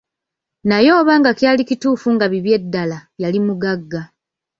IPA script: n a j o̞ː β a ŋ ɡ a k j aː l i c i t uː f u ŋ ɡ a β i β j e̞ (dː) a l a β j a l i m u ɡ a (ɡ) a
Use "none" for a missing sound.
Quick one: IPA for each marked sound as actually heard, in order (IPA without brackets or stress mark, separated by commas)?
dː, ɡː